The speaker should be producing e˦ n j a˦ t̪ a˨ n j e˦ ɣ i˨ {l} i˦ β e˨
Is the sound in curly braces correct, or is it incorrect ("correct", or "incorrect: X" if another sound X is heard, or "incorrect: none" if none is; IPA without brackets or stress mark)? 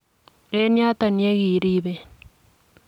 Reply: incorrect: ɾ